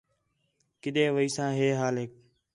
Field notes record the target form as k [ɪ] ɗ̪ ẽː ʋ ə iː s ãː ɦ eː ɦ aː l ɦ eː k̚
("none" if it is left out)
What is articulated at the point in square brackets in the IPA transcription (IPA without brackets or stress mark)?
ɪ